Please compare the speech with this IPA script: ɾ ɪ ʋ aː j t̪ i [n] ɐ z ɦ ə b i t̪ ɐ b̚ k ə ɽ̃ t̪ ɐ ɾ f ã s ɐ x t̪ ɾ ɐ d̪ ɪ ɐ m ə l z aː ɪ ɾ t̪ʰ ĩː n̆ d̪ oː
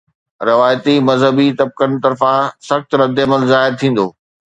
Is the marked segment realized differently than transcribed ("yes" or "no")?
yes